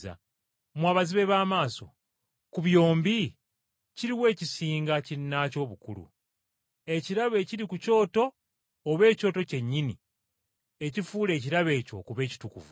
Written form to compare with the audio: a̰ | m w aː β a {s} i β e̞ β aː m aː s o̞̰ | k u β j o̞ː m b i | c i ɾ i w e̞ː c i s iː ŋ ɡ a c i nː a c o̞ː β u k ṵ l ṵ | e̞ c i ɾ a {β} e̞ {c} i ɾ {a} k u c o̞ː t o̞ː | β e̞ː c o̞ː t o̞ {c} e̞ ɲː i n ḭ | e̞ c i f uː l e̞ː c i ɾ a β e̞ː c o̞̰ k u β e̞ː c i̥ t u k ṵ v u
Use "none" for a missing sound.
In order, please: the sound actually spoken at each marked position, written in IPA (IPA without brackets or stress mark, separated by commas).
z, β, c, i, c